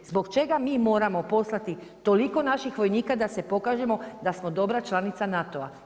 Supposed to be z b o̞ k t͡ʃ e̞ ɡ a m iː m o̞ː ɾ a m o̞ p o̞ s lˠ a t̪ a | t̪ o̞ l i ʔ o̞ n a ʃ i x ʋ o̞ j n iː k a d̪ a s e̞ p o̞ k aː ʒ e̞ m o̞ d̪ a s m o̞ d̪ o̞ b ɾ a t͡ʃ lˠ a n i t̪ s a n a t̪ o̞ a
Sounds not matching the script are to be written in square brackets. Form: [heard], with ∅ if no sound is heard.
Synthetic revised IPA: z b o̞ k t͡ʃ e̞ ɡ a m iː m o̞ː ɾ a m o̞ p o̞ s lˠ a t̪ [i] | t̪ o̞ l i [k] o̞ n a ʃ i x ʋ o̞ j n iː k a d̪ a s e̞ p o̞ k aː ʒ e̞ m o̞ d̪ a s m o̞ d̪ o̞ b ɾ a t͡ʃ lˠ a n i t̪ s a n a t̪ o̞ a

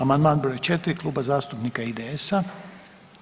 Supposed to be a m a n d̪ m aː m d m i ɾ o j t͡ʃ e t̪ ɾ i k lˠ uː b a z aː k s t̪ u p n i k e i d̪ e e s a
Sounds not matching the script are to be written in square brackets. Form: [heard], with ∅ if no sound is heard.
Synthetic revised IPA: a m a n d̪ m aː [n] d [b] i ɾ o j t͡ʃ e t̪ ɾ i k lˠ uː b a z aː [∅] s t̪ u p n i k [a] i d̪ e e s a

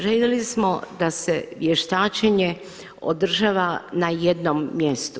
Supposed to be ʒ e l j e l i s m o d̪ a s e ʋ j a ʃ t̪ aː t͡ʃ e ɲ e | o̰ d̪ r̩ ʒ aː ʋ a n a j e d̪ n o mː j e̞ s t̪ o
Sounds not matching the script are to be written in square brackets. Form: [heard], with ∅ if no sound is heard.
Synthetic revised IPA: ʒ e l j e l i s m o d̪ a s e ʋ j [e] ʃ t̪ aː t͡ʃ e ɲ e | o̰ d̪ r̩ ʒ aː ʋ a n a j e d̪ n o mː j e̞ s t̪ [u]

